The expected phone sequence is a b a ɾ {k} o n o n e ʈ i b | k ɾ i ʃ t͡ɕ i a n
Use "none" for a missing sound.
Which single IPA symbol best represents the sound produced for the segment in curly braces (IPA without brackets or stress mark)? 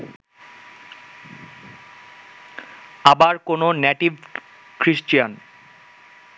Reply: k